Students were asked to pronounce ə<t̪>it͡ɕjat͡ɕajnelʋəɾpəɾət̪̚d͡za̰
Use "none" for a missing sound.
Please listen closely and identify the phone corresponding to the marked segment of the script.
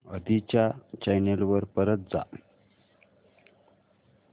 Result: d̪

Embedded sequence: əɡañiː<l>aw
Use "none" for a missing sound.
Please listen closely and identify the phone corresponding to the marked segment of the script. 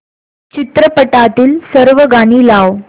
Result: l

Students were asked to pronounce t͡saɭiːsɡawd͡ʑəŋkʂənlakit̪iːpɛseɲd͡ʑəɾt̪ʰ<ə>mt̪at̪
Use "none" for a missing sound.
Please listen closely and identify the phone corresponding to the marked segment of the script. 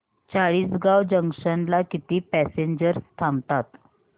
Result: a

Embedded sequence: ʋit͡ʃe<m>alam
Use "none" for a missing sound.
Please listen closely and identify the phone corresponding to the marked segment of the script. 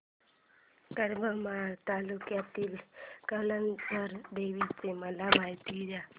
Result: m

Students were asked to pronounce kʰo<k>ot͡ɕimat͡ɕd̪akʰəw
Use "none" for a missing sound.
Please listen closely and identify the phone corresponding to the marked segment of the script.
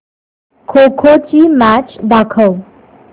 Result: kʰ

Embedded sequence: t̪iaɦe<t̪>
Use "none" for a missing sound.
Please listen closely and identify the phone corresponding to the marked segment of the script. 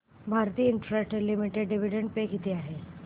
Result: none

